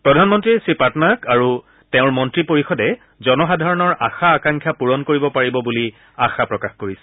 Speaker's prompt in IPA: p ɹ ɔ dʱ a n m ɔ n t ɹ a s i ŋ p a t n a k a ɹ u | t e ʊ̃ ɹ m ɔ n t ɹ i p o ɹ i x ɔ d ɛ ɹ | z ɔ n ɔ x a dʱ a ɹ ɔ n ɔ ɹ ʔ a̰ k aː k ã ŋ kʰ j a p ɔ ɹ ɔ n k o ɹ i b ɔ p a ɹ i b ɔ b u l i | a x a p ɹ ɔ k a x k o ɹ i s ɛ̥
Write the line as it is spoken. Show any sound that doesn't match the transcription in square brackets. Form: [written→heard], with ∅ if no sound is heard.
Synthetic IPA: p ɹ ɔ dʱ a n m ɔ n t ɹ [a→i] s i [ŋ→∅] p a t n a k a ɹ u | t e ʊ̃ ɹ m ɔ n t ɹ i p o ɹ i x ɔ d ɛ [ɹ→∅] | z ɔ n ɔ x a dʱ a ɹ ɔ n ɔ ɹ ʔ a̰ [k→x] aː k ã ŋ kʰ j a p [ɔ→u] ɹ ɔ n k o ɹ i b ɔ p a ɹ i b ɔ b u l i | a x a p ɹ ɔ k a x k o ɹ i s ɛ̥